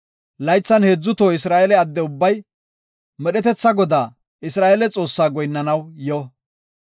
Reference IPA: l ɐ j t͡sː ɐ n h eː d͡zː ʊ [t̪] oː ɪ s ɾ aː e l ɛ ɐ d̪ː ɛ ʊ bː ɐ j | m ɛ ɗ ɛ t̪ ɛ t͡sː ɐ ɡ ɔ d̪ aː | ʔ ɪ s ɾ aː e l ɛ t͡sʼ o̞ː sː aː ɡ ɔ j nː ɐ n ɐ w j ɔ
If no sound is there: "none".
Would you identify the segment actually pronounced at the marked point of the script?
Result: t̪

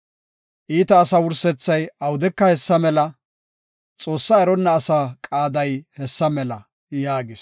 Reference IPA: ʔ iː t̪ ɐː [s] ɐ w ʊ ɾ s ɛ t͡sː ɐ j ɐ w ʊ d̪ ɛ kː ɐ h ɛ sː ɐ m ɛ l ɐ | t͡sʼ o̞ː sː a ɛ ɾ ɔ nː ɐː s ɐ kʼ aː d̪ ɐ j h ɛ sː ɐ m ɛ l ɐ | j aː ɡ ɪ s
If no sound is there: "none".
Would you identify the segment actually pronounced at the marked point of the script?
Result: s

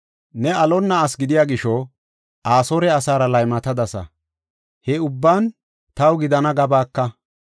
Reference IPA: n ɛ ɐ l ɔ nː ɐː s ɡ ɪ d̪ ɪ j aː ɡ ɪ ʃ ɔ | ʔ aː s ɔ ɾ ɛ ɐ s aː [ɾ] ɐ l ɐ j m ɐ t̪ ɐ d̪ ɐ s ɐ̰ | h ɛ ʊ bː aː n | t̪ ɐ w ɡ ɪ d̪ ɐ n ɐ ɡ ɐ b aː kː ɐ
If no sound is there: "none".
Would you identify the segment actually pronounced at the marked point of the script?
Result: ɾ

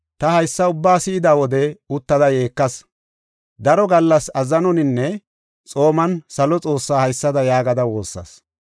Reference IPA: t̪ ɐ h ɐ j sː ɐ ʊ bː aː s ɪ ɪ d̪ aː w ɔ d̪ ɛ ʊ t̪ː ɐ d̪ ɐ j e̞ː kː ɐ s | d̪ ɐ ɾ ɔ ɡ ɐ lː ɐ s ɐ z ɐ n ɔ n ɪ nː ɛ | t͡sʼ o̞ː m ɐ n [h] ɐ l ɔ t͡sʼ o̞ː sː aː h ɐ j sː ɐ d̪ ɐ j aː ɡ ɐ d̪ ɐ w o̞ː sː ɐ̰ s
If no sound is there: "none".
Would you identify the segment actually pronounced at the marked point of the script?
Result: s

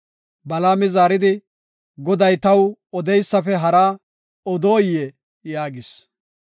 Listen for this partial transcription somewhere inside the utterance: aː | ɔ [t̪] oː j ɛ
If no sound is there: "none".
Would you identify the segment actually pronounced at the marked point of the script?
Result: d̪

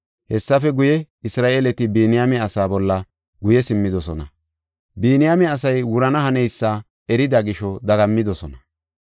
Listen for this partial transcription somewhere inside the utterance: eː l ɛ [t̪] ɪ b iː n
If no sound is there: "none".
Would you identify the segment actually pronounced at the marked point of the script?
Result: t̪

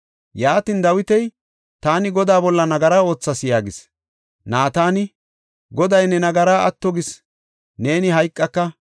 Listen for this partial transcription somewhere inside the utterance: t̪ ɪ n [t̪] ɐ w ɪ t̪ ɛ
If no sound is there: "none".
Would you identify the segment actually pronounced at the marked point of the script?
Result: d̪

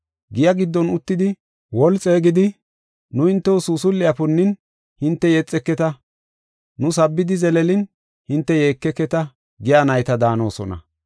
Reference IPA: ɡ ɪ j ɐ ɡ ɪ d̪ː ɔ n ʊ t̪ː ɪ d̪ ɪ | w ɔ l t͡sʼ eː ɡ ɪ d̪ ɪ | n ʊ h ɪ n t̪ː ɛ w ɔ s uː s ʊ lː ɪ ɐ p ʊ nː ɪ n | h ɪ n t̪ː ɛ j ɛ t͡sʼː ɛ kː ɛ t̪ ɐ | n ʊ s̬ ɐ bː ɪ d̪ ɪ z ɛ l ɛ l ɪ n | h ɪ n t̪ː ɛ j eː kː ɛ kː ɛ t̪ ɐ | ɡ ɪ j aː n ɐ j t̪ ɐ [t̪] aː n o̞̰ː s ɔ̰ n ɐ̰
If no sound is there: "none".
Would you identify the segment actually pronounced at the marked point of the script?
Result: d̪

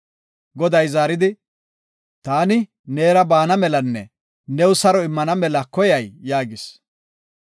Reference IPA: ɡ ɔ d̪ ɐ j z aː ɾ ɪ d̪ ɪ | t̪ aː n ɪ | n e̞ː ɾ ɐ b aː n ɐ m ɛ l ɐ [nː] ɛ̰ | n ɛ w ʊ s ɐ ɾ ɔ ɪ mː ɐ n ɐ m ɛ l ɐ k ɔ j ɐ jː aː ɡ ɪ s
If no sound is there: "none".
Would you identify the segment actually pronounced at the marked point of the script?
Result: nː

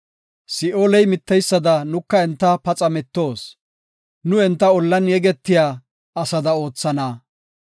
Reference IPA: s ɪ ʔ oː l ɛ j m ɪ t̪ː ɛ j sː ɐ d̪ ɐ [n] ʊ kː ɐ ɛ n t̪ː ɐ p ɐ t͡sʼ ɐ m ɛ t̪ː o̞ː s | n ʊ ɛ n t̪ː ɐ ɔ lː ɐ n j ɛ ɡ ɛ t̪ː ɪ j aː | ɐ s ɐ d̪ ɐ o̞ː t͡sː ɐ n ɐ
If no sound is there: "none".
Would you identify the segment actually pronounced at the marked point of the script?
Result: n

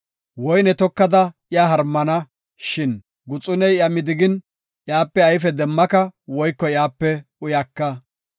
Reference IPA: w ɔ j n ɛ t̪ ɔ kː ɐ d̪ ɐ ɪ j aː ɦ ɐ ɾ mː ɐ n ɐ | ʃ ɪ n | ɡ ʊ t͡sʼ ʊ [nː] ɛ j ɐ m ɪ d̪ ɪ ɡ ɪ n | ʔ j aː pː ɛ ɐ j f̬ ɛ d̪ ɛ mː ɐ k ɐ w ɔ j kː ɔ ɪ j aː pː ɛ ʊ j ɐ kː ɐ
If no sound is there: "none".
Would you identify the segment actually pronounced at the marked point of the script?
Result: n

